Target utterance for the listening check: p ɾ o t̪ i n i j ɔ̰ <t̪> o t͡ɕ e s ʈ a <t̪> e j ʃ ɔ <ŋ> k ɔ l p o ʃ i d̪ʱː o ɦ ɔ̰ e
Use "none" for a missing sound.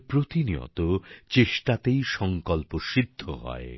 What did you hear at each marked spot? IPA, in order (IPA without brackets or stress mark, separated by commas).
t̪, t̪, ŋ